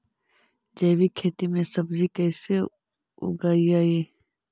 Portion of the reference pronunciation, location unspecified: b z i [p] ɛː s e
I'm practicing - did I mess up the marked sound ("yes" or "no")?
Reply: yes